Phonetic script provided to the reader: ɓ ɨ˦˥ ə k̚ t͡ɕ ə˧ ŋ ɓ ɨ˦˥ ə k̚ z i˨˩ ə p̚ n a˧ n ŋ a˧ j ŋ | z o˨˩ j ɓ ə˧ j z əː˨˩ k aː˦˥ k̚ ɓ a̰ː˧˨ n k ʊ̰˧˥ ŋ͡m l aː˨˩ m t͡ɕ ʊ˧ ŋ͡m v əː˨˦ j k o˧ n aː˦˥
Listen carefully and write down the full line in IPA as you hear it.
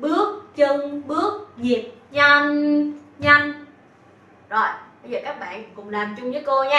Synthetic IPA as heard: ɓ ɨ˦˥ ə k̚ t͡ɕ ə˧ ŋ ɓ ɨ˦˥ ə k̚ z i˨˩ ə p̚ ɲ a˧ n ɲ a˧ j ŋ | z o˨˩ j ɓ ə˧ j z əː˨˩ k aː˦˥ k̚ ɓ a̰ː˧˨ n k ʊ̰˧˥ ŋ͡m l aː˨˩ m t͡ɕ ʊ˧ ŋ͡m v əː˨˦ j k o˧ ɲ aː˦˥